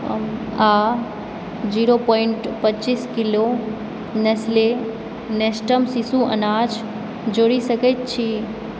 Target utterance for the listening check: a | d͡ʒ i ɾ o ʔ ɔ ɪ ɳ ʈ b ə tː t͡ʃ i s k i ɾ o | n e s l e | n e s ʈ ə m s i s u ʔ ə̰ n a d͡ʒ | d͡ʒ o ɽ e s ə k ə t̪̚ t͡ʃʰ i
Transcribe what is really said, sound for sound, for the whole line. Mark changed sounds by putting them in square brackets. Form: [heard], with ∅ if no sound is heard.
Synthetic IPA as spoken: a | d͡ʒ i ɾ o [p] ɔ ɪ ɳ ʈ [p] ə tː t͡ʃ i s k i [l] o | n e s l e | n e s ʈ ə m s i s u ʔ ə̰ n a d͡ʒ | d͡ʒ o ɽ [i] s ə k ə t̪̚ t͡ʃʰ i

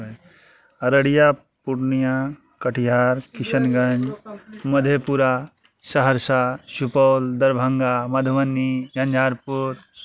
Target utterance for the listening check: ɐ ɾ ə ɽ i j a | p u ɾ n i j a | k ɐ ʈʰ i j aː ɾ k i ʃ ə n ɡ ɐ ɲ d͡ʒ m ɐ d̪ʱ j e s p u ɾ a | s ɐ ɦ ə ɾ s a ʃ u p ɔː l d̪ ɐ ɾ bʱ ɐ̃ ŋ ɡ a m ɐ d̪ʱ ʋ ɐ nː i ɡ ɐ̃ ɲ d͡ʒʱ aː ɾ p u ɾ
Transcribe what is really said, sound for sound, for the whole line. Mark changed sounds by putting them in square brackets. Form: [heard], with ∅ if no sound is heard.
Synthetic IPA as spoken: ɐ ɾ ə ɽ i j a | p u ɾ n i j a | k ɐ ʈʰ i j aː ɾ k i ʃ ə n ɡ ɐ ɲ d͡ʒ m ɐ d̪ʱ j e [∅] p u ɾ a | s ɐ ɦ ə ɾ s a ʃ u p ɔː l d̪ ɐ ɾ bʱ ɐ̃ ŋ ɡ a m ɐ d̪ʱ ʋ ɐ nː i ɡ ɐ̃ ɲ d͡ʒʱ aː ɾ p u ɾ

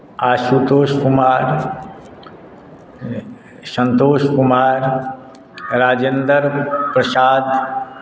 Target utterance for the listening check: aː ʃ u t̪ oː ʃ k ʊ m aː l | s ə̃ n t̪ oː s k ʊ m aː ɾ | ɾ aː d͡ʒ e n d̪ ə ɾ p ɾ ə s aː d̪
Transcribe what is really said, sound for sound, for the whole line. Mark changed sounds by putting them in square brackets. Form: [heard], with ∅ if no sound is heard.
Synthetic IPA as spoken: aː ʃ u t̪ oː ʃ k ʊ m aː [ɾ] | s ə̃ n t̪ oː [ʃ] k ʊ m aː ɾ | ɾ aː d͡ʒ e n d̪ ə ɾ p ɾ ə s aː d̪

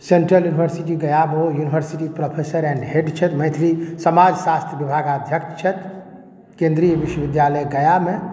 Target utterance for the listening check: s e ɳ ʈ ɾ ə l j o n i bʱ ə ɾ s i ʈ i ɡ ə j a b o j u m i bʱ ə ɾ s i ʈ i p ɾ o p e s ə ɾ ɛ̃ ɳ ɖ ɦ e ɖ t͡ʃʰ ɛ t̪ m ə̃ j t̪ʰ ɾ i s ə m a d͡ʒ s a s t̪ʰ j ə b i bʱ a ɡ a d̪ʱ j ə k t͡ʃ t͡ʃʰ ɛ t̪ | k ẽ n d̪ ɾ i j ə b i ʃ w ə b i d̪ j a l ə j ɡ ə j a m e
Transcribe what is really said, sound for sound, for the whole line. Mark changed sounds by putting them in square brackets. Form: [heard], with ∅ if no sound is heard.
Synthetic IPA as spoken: s e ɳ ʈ ɾ ə l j [u] n i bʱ ə ɾ s i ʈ i ɡ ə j a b o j u [n] i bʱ ə ɾ s i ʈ i p ɾ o [pʰ] e s ə ɾ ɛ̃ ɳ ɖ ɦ e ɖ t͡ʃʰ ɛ t̪ m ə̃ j t̪ʰ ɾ i s ə m a d͡ʒ s a s t̪ʰ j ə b i bʱ a ɡ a d̪ʱ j ə k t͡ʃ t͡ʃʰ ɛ t̪ | k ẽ n d̪ ɾ i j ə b i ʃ w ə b i d̪ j a l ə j ɡ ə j a m e

